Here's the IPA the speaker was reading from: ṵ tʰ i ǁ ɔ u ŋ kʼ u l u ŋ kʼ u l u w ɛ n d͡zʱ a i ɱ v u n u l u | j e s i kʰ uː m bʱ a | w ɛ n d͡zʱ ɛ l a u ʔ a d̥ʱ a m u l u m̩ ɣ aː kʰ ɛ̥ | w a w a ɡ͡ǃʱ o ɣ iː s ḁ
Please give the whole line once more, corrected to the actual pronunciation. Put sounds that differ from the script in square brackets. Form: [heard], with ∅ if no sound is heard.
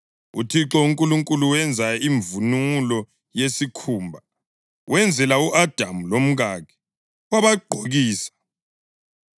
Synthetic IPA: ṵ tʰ i ǁ ɔ u ŋ kʼ u l u ŋ kʼ u l u w ɛ n d͡zʱ a i ɱ v u n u l [ɔ] | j e s i kʰ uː m bʱ a | w ɛ n d͡zʱ ɛ l a u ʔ a d̥ʱ a m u l [o] m̩ ɣ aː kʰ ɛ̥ | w a [β] a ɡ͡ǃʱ o ɣ iː s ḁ